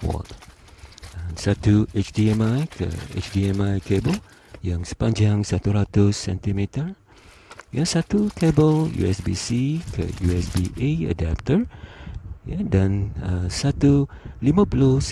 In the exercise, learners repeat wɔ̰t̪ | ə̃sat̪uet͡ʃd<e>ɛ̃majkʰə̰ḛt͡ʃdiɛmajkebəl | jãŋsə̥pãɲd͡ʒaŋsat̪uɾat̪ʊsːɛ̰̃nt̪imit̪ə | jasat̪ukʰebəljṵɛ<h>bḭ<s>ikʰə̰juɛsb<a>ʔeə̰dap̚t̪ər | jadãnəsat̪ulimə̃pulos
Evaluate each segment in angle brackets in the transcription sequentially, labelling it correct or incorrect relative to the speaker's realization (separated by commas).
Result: incorrect, incorrect, correct, incorrect